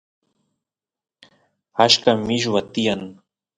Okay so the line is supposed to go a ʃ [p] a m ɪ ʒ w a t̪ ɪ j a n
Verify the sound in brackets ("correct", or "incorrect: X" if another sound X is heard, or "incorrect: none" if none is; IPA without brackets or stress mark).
incorrect: k